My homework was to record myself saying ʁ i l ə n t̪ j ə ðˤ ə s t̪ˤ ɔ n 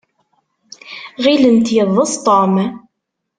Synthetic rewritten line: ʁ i l ə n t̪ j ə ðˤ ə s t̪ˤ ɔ m